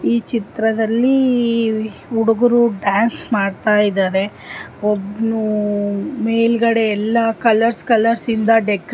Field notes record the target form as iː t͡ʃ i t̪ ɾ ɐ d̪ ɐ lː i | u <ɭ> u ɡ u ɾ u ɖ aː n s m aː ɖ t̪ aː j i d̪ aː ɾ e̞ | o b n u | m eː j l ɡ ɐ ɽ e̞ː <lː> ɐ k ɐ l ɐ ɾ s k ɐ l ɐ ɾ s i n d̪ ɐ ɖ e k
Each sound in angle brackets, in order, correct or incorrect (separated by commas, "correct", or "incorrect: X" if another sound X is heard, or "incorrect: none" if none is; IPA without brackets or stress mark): incorrect: ɽ, correct